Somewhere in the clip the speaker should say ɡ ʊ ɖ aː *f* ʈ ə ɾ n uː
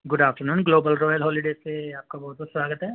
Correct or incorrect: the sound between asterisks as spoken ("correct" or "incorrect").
correct